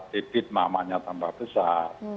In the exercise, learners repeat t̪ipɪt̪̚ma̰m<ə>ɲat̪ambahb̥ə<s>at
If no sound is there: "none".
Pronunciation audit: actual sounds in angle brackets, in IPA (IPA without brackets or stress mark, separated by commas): a, s